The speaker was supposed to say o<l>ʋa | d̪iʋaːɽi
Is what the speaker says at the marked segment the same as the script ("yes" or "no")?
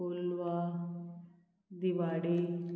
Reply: yes